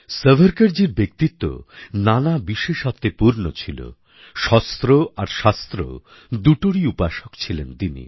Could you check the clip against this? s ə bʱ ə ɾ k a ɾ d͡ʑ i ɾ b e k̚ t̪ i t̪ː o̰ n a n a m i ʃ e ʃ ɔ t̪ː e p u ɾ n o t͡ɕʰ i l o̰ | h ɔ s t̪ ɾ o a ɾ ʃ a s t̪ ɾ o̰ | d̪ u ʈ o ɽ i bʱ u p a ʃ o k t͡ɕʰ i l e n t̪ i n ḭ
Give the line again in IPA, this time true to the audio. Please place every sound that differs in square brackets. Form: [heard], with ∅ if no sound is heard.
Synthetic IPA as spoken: s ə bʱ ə ɾ k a ɾ d͡ʑ i ɾ b e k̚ t̪ i t̪ː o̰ n a n a [b] i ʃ e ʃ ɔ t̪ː e p u ɾ n o t͡ɕʰ i l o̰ | [ʃ] ɔ s t̪ ɾ o a ɾ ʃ a s t̪ ɾ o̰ | d̪ u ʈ o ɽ i [∅] u p a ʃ o k t͡ɕʰ i l e n t̪ i n ḭ